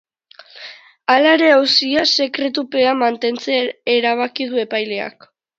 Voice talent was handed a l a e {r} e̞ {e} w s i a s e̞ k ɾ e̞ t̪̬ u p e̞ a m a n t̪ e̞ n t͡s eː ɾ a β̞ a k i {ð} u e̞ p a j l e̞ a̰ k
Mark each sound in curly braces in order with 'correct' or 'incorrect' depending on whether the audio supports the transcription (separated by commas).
incorrect, incorrect, correct